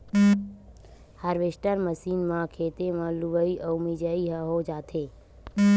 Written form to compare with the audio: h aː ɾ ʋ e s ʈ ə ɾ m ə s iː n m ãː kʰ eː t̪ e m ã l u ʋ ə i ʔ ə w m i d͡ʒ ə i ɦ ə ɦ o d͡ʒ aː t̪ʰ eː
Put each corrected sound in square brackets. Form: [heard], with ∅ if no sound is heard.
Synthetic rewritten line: h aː ɾ ʋ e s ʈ ə ɾ m ə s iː n m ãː kʰ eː t̪ e m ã l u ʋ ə i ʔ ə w m i d͡ʒ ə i ɦ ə ɦ o d͡ʒ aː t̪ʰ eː